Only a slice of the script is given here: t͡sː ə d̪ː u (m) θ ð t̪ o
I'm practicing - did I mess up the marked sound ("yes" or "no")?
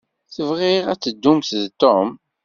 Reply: no